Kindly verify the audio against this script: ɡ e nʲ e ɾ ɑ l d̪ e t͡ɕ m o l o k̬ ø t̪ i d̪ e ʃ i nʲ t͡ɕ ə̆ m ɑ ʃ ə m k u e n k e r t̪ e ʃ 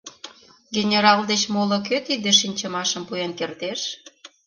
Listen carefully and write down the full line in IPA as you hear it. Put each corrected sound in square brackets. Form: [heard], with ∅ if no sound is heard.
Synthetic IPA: ɡ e nʲ e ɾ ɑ l d̪ e t͡ɕ m o l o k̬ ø t̪ i d̪ e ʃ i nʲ t͡ɕ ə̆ m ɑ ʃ ə m [p] u e n k e r t̪ e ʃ